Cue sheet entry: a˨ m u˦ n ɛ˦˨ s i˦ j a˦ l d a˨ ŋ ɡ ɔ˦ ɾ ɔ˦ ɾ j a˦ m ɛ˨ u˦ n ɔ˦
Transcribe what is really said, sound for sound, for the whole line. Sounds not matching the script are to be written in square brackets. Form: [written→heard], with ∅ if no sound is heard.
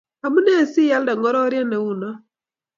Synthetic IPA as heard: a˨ m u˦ n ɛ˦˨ s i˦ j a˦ l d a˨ ŋ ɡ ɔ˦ ɾ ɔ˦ ɾ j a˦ [m→n] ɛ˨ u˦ n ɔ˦